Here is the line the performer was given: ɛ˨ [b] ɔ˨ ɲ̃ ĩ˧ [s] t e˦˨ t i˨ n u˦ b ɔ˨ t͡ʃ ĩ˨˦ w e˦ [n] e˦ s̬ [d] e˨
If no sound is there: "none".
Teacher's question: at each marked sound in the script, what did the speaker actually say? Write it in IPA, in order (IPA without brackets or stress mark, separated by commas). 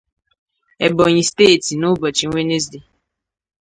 b, s, n, d